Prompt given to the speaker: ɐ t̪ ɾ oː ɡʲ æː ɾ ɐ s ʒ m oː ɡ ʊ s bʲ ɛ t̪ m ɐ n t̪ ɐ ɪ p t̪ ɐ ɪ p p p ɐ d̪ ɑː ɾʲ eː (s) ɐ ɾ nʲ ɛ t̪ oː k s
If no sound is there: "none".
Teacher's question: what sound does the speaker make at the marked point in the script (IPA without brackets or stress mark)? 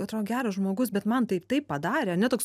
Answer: none